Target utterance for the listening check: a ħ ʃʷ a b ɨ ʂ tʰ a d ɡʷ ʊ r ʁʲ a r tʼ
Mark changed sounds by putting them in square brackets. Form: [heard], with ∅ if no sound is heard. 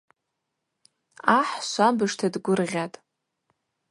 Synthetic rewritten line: a ħ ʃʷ a b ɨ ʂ tʰ a d ɡʷ ʊ r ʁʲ a [∅] tʼ